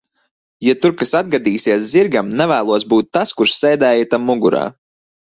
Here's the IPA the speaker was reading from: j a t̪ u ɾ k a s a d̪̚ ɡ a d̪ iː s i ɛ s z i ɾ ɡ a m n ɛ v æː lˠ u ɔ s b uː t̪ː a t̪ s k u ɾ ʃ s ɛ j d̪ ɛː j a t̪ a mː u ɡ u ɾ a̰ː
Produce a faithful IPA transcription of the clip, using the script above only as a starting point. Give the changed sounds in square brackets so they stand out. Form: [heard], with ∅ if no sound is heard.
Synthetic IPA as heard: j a t̪ u ɾ k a s a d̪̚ ɡ a d̪ iː s i ɛ s z i ɾ ɡ a m n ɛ v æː lˠ u ɔ s b uː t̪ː a [∅] s k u ɾ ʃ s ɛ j d̪ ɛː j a t̪ a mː u ɡ u ɾ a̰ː